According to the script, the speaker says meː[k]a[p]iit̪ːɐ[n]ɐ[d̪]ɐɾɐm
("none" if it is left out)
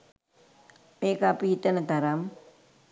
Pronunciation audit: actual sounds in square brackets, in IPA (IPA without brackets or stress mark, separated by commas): k, p, n, t̪